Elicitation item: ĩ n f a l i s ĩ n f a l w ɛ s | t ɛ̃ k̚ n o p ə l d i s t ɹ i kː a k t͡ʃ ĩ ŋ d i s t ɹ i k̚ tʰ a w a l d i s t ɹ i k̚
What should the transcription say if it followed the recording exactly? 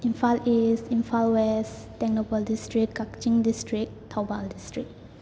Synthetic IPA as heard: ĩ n f a l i s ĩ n f a l w ɛ s | t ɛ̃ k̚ n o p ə l d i s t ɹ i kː a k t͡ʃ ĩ ŋ d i s t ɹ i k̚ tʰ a b a l d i s t ɹ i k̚

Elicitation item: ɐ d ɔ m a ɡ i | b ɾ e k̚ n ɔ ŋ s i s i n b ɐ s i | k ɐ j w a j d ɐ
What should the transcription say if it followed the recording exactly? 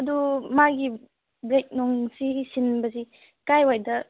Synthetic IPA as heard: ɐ d u m a ɡ i | b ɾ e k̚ n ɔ ŋ s i s i n b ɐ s i | k a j w a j d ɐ

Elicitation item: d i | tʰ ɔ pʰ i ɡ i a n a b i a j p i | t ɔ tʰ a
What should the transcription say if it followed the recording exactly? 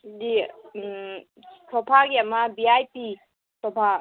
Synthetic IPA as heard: d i | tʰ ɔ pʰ a ɡ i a m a b i a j p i | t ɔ pʰ a

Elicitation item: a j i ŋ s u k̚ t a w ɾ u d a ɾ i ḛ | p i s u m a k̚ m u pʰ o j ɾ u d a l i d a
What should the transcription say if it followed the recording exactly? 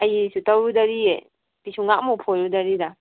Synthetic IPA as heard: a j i s u t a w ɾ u d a ɾ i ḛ | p i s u ŋ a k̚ m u pʰ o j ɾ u d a ɾ i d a

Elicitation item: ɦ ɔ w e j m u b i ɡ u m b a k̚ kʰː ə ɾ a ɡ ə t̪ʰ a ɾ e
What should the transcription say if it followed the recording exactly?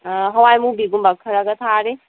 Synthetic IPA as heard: ɦ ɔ w a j m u b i ɡ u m b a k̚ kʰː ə ɾ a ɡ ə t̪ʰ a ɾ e

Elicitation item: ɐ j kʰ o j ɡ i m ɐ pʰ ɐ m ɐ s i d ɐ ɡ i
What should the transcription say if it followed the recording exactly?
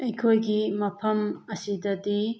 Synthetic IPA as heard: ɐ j kʰ o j ɡ i m ɐ pʰ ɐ m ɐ s i d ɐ d i

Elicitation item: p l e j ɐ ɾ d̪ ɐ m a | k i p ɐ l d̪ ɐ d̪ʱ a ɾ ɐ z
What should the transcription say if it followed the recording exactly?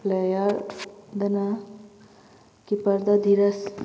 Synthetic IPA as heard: p l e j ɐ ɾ d̪ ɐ n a | k i p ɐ ɾ d̪ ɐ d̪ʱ i ɾ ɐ s

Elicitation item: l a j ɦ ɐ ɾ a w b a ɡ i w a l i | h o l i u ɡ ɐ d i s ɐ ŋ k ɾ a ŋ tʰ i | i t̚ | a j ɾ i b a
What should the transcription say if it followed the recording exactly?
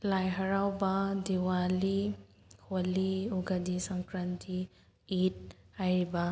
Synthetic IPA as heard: l a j ɦ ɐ ɾ a w b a d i w a l i | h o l i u ɡ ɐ d i s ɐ ŋ k ɾ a n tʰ i | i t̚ | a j ɾ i b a

